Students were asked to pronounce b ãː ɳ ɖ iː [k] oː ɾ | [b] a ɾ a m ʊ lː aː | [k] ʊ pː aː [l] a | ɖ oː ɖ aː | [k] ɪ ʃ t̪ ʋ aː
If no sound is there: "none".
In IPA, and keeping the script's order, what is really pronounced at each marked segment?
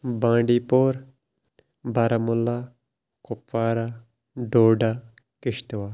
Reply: p, b, k, ɾ, k

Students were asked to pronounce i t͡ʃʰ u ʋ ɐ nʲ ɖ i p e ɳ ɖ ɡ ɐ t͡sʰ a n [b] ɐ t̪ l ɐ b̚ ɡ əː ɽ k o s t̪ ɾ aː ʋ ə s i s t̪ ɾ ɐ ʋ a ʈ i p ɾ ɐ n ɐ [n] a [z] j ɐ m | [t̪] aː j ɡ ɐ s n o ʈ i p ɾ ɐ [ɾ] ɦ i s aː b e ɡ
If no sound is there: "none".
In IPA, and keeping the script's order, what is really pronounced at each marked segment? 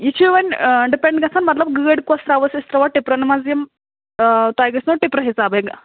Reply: m, m, z, t̪, none

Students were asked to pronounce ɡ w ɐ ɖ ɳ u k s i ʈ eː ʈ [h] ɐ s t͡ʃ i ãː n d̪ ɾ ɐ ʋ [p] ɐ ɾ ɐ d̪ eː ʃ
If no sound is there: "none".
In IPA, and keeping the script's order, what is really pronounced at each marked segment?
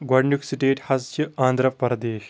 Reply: h, p

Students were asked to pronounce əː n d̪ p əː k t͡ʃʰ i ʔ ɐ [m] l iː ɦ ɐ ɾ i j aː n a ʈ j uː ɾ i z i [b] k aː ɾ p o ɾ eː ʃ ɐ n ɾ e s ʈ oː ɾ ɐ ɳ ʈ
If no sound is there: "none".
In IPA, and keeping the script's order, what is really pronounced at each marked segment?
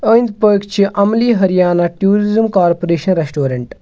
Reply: m, m

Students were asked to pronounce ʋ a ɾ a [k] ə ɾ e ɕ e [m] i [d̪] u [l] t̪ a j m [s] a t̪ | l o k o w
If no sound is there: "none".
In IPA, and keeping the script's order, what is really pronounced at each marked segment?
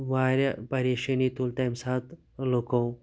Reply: p, n, t̪, l, s

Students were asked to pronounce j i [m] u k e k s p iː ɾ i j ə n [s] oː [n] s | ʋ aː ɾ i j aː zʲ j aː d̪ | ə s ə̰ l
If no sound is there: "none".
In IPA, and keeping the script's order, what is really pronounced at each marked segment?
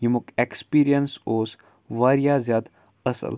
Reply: m, s, none

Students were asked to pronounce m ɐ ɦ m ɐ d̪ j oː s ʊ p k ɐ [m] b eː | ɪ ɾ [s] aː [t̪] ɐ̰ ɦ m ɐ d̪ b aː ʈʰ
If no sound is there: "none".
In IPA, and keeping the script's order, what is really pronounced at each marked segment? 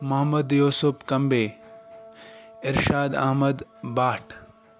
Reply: m, ʃ, d̪

